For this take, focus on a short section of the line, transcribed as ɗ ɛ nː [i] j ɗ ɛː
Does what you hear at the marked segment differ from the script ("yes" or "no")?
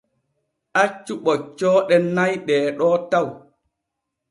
yes